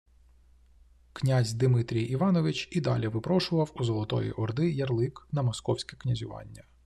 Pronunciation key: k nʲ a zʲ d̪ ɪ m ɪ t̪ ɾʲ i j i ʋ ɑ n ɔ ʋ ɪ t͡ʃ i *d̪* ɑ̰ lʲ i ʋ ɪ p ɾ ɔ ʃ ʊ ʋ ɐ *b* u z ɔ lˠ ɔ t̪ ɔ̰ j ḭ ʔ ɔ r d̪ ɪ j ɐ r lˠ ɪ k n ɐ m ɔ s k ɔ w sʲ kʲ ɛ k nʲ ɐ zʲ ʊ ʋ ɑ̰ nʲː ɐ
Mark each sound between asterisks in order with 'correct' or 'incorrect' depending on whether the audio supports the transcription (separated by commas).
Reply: correct, incorrect